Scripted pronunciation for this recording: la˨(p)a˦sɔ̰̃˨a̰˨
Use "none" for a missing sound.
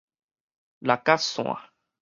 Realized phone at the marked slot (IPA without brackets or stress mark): k